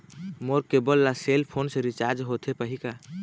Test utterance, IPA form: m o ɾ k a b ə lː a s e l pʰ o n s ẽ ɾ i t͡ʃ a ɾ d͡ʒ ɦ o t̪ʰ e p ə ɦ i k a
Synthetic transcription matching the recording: m o ɾ k e b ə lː a s e l pʰ o n s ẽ ɾ i t͡ʃ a ɾ d͡ʒ ɦ o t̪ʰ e p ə ɦ i k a